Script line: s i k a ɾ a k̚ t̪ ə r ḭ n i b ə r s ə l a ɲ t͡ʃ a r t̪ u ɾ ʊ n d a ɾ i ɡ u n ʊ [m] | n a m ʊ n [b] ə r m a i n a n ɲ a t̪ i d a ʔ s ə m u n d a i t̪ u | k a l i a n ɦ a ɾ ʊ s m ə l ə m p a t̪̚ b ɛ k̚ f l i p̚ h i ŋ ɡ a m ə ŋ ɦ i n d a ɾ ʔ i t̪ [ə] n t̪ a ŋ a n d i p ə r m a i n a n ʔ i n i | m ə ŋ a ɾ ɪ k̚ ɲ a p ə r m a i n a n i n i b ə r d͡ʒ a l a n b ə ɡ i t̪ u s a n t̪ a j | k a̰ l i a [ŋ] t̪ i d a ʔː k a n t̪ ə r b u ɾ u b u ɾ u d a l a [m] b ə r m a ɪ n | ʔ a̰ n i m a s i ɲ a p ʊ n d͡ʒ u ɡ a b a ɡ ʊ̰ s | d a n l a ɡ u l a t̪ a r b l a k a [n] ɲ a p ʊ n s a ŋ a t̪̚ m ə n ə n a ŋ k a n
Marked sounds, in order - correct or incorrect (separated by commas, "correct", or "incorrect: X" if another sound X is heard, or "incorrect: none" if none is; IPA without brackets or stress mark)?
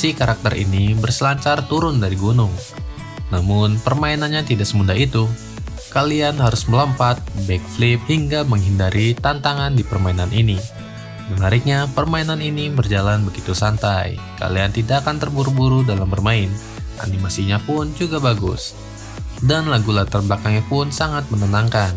incorrect: ŋ, incorrect: p, incorrect: a, incorrect: n, correct, incorrect: ŋ